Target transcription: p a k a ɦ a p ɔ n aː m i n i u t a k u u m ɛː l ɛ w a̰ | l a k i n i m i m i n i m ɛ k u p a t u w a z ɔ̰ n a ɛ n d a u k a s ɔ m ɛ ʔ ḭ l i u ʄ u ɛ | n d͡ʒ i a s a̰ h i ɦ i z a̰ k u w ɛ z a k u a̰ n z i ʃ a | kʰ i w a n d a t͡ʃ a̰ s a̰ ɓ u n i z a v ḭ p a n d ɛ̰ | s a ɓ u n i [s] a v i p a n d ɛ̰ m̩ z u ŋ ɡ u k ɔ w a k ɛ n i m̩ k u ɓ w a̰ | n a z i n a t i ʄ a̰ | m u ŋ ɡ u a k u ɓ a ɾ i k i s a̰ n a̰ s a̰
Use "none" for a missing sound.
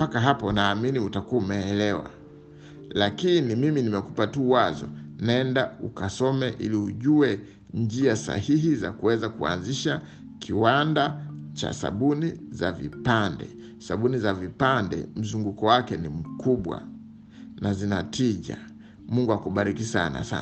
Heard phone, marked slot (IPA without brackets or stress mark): z